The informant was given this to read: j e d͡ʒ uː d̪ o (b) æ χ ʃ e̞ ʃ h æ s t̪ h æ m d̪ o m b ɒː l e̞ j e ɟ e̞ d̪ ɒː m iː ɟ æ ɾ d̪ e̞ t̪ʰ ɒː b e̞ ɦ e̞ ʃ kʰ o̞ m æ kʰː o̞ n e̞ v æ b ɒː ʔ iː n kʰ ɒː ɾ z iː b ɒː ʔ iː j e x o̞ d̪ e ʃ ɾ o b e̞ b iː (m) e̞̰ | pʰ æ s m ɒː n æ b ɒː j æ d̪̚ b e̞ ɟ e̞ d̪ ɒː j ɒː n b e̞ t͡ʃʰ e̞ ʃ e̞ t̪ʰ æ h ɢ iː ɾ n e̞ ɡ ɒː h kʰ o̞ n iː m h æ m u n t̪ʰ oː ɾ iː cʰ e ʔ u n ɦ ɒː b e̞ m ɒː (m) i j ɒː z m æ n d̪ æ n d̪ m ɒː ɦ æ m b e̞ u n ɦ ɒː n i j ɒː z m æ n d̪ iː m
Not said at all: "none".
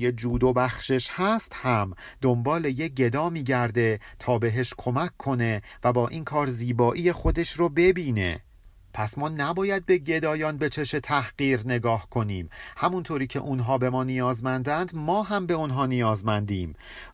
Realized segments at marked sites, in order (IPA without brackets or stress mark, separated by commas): b, n, n